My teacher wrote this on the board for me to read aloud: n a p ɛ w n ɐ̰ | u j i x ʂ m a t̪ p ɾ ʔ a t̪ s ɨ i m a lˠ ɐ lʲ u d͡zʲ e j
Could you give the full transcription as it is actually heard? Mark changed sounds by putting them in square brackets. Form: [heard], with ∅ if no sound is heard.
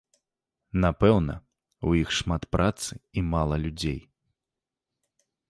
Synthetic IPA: n a p ɛ w n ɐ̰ | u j i x ʂ m a t̪ p ɾ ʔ a t̪ s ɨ i m a lˠ ɐ lʲ u d͡zʲ e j